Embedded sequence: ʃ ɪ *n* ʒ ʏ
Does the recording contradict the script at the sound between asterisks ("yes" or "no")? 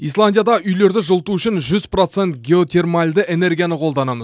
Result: no